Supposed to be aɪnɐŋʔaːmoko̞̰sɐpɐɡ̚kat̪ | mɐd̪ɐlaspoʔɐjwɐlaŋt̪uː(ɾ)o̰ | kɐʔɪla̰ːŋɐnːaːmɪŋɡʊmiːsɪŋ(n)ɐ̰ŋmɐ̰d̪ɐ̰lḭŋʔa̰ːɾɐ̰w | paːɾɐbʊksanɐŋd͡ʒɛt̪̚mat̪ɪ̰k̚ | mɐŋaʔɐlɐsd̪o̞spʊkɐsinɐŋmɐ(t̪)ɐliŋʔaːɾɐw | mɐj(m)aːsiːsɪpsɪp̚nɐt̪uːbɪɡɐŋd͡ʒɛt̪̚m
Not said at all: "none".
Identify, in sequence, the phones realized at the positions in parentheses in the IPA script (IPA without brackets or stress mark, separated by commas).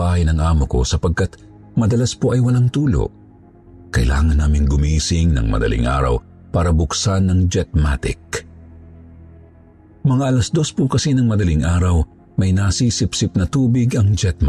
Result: l, n, d̪, n